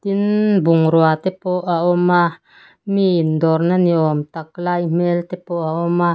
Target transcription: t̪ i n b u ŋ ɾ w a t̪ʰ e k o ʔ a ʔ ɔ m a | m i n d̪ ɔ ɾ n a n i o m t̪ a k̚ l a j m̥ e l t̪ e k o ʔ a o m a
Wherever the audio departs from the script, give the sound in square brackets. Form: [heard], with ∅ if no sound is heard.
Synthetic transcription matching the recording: t̪ i n b u ŋ ɾ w a [t̪] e [p] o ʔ a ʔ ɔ m a | m i n d̪ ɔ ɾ n a n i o m t̪ a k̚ l a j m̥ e l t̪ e [p] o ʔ a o m a